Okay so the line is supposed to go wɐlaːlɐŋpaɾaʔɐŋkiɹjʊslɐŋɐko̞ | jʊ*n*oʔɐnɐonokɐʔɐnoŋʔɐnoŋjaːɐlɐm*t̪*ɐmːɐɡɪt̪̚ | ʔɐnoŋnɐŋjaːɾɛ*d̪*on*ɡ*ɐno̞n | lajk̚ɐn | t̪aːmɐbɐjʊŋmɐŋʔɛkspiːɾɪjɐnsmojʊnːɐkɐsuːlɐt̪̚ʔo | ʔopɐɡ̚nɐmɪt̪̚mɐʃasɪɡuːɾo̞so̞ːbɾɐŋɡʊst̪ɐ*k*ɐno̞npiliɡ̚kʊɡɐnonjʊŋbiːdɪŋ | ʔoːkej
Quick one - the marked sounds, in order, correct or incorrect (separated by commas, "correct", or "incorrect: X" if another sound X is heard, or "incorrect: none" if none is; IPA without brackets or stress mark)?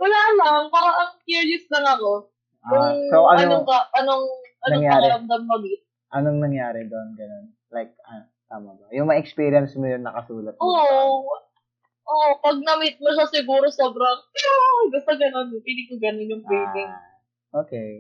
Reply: incorrect: ŋ, incorrect: d̪, correct, correct, incorrect: ɡ